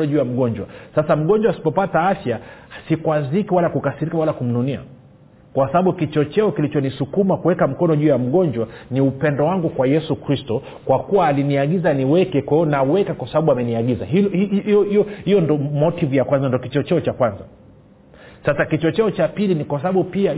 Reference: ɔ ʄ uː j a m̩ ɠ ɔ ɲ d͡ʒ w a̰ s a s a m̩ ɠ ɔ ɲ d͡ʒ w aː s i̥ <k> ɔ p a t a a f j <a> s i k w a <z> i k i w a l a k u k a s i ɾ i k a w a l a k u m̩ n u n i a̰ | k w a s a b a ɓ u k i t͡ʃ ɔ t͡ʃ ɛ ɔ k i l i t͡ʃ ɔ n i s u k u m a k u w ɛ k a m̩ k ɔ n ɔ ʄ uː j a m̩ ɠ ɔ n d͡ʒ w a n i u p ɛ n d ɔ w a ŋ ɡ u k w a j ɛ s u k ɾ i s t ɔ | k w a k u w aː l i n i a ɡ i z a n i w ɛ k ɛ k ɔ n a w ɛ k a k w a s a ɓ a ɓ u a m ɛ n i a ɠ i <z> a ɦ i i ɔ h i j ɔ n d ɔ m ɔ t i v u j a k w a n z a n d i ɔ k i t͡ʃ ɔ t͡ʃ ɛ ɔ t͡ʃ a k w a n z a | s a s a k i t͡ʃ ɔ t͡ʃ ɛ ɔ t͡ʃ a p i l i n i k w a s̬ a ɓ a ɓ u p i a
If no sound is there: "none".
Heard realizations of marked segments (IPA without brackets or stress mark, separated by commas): p, a, z, z